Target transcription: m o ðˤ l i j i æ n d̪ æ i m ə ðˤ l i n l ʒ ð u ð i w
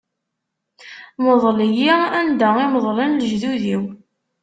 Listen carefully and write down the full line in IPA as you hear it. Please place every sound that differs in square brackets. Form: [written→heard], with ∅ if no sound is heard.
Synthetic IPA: m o ðˤ l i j i æ n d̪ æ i m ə ðˤ l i n l ʒ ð u ð i w